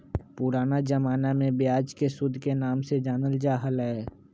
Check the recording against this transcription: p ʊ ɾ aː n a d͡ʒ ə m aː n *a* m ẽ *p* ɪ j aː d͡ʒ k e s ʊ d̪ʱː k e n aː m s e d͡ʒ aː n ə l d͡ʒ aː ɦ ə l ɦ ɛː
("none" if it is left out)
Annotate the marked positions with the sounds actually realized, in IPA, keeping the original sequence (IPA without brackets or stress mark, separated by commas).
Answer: a, b